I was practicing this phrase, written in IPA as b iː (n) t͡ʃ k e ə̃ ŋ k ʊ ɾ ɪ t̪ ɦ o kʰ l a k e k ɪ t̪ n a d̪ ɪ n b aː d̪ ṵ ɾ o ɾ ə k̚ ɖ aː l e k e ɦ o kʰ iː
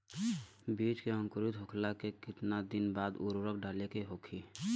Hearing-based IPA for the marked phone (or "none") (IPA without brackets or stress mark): none